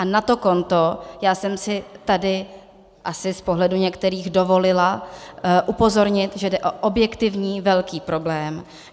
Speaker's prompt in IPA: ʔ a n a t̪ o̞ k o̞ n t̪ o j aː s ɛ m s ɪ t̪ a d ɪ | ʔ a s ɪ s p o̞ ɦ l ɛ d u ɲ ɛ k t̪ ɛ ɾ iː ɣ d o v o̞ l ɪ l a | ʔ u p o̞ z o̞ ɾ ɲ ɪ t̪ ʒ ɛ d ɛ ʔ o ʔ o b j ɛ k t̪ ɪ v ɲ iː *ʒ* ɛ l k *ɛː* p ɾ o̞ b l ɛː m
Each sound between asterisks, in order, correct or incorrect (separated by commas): incorrect, incorrect